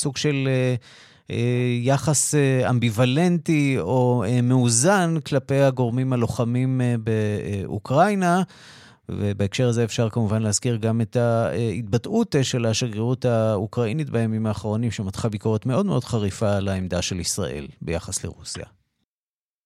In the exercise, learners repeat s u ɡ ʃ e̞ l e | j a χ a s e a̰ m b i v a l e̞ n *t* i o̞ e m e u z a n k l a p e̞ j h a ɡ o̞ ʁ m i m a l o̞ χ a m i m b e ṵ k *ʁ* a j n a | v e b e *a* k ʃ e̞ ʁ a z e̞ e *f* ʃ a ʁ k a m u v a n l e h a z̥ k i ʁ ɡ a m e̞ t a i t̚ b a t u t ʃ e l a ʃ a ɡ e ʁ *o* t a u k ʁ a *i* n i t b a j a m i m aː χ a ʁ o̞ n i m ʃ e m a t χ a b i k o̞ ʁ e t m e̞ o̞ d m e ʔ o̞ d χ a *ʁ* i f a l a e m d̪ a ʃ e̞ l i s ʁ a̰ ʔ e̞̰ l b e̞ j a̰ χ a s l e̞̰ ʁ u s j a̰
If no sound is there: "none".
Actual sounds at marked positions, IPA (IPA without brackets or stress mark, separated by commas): t, ʁ, e, f, u, i, ʁ